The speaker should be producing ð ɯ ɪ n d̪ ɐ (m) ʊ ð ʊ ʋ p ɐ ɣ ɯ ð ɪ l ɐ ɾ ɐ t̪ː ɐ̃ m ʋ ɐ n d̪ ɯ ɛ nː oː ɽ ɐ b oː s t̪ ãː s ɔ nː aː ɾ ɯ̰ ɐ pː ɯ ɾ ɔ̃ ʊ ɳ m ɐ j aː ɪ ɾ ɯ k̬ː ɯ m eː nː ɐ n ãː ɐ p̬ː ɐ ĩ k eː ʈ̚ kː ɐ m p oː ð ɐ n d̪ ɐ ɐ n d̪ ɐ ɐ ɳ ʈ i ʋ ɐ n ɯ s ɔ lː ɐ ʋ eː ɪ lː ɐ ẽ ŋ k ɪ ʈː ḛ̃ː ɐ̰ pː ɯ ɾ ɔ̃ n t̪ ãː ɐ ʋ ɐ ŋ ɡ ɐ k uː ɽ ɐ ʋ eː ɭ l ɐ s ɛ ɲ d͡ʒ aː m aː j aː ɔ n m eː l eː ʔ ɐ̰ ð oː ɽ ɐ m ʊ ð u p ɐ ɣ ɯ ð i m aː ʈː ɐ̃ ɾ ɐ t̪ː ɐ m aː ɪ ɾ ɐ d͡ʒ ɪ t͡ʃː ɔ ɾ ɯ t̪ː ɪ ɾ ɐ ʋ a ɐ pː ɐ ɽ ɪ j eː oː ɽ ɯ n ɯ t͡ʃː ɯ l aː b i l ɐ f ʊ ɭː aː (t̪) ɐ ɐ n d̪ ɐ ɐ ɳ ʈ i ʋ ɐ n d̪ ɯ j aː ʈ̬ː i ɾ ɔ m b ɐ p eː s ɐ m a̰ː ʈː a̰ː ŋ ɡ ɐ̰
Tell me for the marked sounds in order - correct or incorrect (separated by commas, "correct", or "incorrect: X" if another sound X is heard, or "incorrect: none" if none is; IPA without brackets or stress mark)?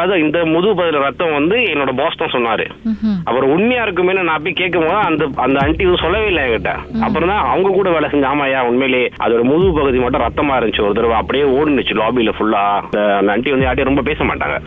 correct, incorrect: d̪